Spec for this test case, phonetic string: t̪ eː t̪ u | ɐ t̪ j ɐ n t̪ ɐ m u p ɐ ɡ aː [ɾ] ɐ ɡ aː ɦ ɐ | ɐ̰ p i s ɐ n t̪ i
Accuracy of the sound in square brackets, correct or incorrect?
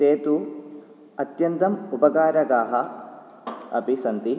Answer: correct